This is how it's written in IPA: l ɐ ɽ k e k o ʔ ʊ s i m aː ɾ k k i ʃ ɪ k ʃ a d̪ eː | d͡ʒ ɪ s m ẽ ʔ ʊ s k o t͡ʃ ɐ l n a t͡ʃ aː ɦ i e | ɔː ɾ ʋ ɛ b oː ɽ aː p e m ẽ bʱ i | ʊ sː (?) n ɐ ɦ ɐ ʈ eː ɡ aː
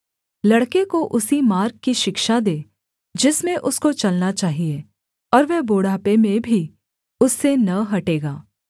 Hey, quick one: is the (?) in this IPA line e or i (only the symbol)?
e